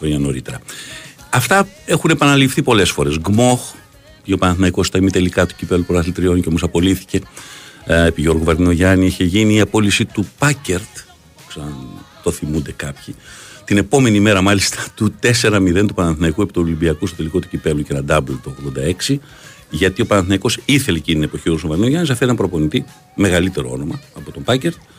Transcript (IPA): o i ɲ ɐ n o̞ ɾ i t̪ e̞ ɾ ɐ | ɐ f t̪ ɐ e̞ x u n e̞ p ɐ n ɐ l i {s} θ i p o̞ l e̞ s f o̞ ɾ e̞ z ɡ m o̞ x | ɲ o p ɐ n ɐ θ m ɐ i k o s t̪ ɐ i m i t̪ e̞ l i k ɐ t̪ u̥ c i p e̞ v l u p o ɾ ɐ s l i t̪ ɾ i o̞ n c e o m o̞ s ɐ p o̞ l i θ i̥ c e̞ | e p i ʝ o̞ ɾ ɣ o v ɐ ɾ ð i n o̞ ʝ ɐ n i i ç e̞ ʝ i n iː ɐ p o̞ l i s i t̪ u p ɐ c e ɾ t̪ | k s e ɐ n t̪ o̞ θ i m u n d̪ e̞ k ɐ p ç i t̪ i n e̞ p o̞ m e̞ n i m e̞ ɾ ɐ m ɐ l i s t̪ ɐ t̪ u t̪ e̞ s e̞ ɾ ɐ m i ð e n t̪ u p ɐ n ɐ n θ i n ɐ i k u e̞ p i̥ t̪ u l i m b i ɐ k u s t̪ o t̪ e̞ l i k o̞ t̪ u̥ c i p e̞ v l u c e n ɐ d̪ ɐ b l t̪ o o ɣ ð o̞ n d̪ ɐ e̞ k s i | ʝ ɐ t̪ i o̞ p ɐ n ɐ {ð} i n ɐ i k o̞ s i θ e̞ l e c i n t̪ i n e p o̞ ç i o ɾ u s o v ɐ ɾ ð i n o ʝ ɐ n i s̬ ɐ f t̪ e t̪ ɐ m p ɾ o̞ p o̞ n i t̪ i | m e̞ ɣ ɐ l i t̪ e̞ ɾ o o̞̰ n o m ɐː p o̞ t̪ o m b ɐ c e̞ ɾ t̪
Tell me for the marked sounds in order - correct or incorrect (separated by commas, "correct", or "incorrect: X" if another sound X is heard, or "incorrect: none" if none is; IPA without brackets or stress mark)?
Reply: incorrect: f, incorrect: θ